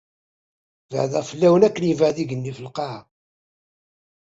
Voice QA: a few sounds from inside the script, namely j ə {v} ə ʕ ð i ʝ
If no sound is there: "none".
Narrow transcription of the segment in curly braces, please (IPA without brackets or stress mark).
v